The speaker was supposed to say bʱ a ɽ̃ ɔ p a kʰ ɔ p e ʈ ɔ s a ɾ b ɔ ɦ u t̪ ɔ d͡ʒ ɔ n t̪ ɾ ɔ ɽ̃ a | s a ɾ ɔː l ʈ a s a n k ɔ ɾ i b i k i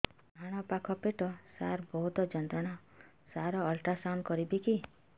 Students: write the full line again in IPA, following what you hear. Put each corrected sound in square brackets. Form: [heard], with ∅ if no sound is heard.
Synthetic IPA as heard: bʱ a ɽ̃ ɔ p a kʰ ɔ p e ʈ ɔ s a ɾ b ɔ ɦ u t̪ ɔ d͡ʒ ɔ n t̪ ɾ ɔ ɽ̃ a | s a ɾ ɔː l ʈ a s a n k ɔ ɾ i b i k i

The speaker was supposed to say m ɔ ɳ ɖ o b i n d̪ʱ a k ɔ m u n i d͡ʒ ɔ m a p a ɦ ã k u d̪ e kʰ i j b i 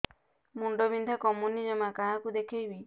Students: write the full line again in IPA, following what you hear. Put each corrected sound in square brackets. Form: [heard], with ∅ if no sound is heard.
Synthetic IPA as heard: m [u] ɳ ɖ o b i n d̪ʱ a k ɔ m u n i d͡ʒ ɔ m a [k] a ɦ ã k u d̪ e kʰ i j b i

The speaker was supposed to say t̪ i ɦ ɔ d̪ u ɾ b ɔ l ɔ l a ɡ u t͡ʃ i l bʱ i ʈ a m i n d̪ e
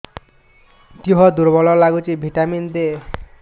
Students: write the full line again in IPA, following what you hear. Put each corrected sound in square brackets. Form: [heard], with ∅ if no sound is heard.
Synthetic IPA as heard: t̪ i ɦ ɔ d̪ u ɾ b ɔ l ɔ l a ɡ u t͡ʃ i [∅] bʱ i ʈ a m i n d̪ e

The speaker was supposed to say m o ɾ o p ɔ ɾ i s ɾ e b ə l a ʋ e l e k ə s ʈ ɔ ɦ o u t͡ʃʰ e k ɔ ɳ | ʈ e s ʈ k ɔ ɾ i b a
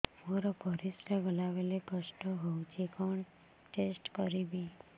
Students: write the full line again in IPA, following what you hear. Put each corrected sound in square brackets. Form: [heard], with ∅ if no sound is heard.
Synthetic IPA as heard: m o ɾ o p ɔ ɾ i s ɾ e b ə l a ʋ e l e k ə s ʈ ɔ ɦ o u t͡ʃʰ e k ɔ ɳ | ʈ e s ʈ k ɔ ɾ i b [i]

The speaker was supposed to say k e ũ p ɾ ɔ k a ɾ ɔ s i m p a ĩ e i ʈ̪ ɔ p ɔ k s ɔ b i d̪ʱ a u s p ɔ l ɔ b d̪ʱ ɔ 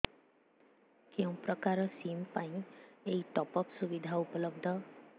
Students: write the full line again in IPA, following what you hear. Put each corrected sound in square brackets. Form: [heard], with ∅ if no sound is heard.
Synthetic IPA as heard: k e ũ p ɾ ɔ k a ɾ ɔ s i m p a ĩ e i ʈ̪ ɔ p ɔ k s [u] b i d̪ʱ a u [∅] p ɔ l ɔ b d̪ʱ ɔ

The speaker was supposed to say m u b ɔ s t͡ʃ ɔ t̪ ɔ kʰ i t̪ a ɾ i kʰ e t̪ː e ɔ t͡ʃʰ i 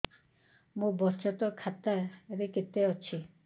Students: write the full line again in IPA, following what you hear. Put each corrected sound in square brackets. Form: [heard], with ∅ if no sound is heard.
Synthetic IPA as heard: m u b ɔ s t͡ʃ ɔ t̪ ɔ kʰ [a] t̪ a ɾ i [k] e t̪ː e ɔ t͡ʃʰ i

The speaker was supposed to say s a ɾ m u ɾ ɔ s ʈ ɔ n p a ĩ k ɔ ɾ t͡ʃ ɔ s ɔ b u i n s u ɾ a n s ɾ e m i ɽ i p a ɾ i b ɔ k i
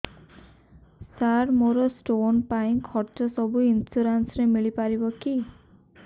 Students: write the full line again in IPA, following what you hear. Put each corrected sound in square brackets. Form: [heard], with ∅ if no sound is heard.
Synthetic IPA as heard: s a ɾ m [o] ɾ ɔ s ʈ [o] n p a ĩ [kʰ] ɔ ɾ t͡ʃ ɔ s ɔ b u i n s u ɾ a n s ɾ e m i [ɭ] i p a ɾ i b ɔ k i

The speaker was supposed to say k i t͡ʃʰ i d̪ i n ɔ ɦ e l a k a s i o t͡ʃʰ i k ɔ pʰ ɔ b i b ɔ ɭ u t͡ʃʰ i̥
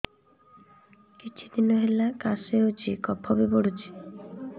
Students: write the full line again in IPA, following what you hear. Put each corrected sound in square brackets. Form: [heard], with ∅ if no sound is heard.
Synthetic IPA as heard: k i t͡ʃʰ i d̪ i n ɔ ɦ e l a k a s [e] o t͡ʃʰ i k ɔ pʰ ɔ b i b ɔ [ɽ] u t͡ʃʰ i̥

